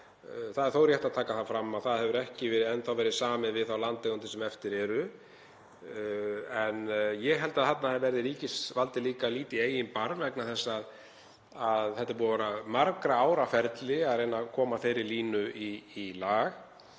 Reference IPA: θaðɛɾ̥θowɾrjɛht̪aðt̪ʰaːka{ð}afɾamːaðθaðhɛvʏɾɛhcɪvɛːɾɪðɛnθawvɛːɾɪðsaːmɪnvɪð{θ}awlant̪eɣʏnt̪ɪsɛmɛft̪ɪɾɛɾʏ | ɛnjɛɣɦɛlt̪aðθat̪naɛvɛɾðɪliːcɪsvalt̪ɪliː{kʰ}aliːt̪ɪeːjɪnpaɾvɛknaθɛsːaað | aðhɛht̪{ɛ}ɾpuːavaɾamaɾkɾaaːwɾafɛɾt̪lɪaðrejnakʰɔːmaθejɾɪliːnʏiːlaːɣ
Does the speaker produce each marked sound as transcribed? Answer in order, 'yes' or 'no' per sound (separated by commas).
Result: no, yes, no, no